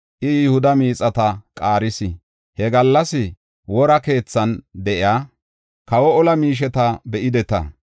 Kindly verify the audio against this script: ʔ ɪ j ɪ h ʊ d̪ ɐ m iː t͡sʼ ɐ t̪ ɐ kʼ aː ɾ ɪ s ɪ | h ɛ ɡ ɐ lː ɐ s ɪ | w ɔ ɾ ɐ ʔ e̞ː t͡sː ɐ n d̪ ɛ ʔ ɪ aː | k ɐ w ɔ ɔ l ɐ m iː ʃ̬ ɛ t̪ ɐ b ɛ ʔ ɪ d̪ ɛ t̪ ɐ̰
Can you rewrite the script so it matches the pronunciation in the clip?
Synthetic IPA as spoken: ʔ ɪ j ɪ h ʊ d̪ ɐ m iː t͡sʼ ɐ t̪ ɐ kʼ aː ɾ ɪ s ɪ | h ɛ ɡ ɐ lː ɐ s ɪ | w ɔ ɾ ɐ k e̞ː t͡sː ɐ n d̪ ɛ ʔ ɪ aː | k ɐ w ɔ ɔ l ɐ m iː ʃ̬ ɛ t̪ ɐ b ɛ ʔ ɪ d̪ ɛ t̪ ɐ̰